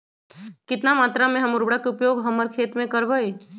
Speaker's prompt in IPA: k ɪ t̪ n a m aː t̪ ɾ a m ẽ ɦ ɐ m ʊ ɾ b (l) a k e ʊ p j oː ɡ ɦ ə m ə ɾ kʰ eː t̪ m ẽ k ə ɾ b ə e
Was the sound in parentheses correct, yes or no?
no